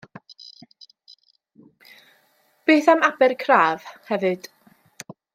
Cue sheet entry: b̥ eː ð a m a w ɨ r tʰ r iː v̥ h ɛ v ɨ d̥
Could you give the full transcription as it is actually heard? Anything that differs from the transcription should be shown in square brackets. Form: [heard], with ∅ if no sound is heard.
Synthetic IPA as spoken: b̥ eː [θ] a m a [b] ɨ r [kʰ] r [aː] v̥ h ɛ v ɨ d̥